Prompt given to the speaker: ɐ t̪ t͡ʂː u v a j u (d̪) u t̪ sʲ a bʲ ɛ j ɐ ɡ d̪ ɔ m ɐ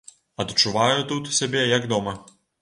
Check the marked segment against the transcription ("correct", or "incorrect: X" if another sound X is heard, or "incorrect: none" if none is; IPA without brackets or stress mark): incorrect: t̪